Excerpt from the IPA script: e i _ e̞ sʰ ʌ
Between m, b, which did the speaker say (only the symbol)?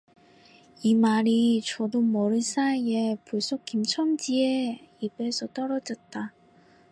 b